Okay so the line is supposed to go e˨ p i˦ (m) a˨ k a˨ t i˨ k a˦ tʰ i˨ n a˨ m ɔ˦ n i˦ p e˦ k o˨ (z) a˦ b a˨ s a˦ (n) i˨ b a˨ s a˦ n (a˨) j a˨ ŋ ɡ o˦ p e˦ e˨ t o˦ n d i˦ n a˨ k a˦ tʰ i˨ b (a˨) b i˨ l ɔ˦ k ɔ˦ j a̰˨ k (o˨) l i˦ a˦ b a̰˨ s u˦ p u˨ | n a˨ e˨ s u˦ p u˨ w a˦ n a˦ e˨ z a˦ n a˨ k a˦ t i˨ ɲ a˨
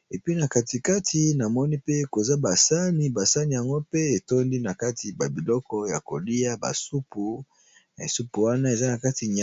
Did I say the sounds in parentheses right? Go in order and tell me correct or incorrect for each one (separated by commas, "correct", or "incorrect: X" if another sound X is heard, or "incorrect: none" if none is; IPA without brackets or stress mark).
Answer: incorrect: n, correct, correct, incorrect: i˨, correct, correct